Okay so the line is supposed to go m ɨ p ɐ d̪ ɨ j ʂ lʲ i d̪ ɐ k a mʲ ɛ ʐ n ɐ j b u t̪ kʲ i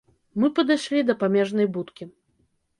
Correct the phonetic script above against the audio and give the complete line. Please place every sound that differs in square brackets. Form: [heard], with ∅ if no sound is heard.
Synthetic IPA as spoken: m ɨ p ɐ d̪ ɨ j ʂ lʲ i d̪ ɐ [p] a mʲ ɛ ʐ n ɐ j b u t̪ kʲ i